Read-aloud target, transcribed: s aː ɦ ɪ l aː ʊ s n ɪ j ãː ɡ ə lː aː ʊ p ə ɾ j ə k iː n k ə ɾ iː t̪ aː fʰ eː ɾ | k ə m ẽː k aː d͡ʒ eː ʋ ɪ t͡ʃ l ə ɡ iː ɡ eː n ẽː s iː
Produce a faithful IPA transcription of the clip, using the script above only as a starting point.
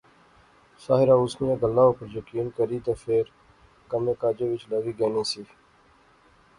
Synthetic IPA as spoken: s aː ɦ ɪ ɾ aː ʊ s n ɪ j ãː ɡ ə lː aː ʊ p ə ɾ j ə k iː n k ə ɾ iː t̪ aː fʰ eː ɾ | k ə m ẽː k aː d͡ʒ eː ʋ ɪ t͡ʃ l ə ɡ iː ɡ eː n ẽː s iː